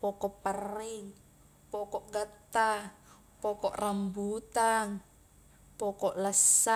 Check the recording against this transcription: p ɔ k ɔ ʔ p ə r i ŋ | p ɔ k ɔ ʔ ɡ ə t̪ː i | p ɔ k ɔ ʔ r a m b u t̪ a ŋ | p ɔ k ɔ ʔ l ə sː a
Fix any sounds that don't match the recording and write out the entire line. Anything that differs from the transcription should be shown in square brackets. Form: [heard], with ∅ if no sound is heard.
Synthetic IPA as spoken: p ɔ k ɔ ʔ p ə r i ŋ | p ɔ k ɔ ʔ ɡ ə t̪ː [a] | p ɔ k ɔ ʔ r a m b u t̪ a ŋ | p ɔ k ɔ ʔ l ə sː a